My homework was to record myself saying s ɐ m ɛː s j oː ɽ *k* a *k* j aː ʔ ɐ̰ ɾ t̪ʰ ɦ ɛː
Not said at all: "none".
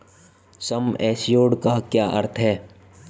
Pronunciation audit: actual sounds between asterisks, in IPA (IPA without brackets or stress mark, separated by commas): k, k